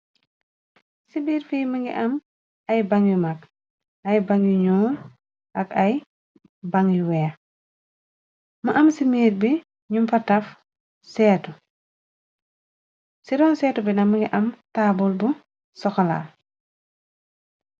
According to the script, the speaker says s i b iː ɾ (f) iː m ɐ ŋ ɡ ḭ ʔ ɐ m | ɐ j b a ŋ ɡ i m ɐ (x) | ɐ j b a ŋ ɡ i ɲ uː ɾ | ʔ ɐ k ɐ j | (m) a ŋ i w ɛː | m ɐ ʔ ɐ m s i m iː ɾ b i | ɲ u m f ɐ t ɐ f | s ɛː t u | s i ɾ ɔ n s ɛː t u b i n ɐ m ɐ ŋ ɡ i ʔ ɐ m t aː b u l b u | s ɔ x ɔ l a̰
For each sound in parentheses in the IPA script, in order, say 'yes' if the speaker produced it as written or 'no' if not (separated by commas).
yes, no, no